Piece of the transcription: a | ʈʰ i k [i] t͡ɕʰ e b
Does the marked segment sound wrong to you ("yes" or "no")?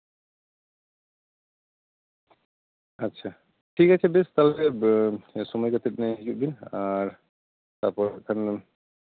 yes